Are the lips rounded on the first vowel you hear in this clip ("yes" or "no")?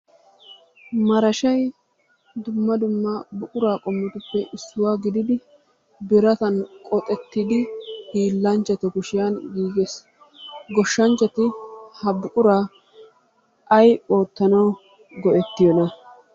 no